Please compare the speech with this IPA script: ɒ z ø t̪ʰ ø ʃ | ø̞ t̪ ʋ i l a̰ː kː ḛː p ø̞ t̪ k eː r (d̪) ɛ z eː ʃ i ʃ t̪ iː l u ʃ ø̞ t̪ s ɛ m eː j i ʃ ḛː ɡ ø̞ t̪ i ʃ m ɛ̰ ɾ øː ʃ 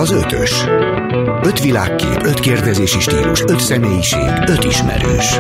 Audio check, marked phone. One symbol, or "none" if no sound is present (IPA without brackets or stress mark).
d̪